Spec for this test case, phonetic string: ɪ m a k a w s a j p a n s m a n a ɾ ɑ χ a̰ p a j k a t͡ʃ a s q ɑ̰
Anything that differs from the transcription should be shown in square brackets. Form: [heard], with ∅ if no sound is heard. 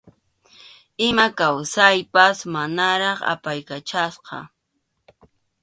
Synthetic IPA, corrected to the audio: ɪ m a k a w s a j p a [∅] s m a n a ɾ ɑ χ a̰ p a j k a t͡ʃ a s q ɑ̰